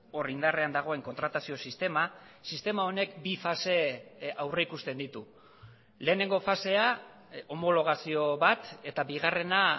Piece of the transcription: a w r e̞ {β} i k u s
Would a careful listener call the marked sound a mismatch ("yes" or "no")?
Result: yes